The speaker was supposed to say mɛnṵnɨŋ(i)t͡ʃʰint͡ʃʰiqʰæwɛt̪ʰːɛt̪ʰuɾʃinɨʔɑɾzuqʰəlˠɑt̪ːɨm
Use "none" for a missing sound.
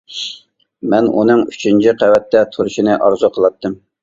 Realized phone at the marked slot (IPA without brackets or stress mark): y